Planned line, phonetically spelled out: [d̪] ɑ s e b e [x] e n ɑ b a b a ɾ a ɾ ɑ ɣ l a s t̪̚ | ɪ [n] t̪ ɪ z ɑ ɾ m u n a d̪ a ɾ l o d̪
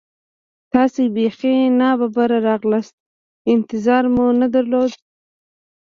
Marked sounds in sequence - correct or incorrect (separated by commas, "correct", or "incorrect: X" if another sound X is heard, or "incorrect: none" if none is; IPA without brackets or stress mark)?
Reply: incorrect: t̪, correct, correct